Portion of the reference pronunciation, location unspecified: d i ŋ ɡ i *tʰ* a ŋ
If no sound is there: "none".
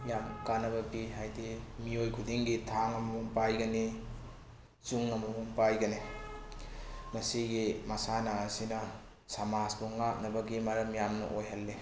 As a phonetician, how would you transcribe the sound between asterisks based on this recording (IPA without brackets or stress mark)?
tʰ